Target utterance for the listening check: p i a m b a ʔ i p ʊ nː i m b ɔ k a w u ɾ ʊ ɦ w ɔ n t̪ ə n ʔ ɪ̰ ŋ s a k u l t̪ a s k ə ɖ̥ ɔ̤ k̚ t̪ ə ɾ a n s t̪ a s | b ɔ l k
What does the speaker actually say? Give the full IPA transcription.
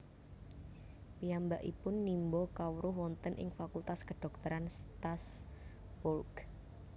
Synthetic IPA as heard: p i a m b a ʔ i p ʊ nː i m b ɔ k a w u ɾ ʊ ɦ w ɔ n t̪ ə n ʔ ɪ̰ ŋ f a k u l t̪ a s k ə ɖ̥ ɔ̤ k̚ t̪ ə ɾ a n s t̪ a s | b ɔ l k